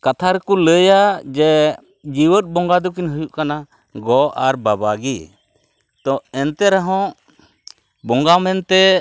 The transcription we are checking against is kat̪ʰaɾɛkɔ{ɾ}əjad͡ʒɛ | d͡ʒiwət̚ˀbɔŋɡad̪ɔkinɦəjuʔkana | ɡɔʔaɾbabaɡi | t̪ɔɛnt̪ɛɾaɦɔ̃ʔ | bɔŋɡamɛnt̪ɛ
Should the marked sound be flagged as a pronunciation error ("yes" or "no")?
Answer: yes